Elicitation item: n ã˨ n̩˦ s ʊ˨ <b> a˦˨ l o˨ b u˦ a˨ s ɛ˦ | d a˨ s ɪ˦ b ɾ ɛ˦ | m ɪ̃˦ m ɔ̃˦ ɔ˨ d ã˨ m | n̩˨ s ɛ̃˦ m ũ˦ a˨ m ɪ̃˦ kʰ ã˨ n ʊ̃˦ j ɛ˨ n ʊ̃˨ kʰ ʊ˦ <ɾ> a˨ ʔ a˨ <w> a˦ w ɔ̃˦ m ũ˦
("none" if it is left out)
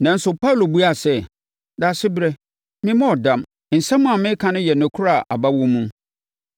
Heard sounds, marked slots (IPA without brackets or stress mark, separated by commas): p, ɾ, b